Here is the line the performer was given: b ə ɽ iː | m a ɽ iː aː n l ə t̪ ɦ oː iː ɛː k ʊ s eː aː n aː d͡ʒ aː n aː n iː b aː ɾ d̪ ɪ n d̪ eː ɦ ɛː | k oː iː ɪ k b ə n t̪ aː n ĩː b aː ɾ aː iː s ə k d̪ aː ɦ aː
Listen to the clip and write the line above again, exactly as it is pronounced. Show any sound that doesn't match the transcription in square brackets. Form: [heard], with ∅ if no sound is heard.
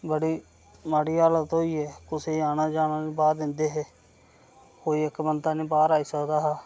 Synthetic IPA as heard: b ə ɽ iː | m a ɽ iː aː [∅] l ə t̪ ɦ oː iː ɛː k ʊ s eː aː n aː d͡ʒ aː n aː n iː b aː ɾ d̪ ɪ n d̪ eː ɦ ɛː | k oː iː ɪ k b ə n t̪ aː n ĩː b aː ɾ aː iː s ə k d̪ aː ɦ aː